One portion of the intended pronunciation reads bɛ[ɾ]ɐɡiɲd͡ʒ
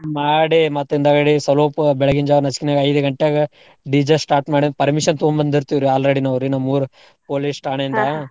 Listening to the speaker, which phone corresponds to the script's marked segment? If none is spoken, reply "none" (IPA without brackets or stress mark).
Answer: ɭ